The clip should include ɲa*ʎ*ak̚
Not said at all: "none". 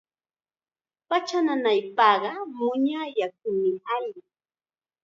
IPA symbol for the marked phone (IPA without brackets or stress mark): j